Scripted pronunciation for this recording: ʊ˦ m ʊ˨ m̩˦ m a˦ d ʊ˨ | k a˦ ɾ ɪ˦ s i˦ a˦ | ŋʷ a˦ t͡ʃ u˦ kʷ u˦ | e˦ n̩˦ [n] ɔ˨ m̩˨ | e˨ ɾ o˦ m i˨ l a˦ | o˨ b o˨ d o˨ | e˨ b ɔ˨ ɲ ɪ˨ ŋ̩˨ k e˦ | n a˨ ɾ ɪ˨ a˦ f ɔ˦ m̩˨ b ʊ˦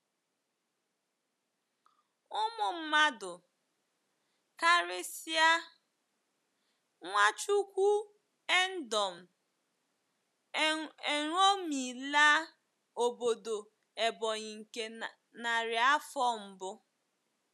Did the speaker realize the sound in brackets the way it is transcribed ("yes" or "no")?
no